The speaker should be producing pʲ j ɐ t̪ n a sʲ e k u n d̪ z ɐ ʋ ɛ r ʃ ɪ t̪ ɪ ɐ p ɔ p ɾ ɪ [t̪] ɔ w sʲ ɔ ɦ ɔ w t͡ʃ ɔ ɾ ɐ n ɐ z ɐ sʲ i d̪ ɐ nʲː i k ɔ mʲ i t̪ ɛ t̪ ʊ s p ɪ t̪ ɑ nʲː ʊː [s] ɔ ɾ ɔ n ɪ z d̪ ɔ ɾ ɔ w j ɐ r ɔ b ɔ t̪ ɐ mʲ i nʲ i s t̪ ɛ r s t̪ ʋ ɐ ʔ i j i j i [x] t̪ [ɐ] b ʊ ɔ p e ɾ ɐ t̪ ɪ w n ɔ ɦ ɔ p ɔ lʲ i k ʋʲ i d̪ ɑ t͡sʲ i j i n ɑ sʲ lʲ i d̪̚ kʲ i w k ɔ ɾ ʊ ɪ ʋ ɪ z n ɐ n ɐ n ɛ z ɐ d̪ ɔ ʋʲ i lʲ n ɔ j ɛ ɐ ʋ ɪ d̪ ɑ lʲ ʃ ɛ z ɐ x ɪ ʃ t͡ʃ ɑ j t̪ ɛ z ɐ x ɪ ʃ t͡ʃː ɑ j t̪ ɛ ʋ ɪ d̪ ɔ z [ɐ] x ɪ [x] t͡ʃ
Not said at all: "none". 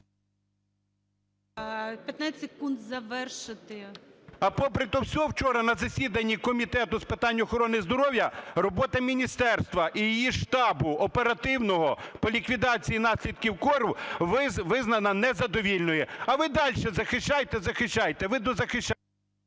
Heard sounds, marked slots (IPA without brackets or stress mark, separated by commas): t̪, x, ʃ, ɑ, ɐ, ʃ